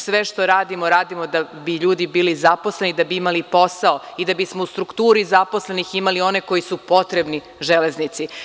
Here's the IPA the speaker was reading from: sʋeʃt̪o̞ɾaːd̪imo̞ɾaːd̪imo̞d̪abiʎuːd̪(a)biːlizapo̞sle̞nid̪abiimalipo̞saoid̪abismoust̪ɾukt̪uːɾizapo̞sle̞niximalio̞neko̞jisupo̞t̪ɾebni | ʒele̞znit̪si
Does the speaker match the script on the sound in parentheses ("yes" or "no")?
no